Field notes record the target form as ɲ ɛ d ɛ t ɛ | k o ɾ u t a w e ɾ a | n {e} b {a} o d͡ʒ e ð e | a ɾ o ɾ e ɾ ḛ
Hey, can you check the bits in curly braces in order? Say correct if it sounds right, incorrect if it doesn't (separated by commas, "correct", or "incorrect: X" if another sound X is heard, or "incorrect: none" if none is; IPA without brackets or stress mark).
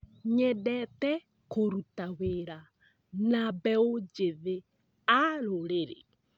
incorrect: a, incorrect: ɛ